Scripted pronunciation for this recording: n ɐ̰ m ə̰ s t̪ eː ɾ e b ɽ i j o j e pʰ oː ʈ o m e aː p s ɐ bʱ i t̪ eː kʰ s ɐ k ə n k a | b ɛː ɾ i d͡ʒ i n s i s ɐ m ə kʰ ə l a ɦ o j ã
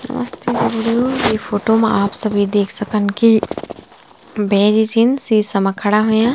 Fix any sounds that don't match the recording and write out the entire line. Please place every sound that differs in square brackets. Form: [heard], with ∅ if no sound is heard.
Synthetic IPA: n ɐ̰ m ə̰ s t̪ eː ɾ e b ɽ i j o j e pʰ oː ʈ o m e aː p s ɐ bʱ i [d̪] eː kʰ s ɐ k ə n k [i] | b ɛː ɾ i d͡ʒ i n s i s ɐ m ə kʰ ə [ɽ] a ɦ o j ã